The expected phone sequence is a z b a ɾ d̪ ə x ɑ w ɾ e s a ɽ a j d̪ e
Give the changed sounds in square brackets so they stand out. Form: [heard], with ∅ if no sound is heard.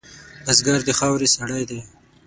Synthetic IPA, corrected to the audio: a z [ɡ] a ɾ d̪ ə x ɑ w ɾ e s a ɽ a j d̪ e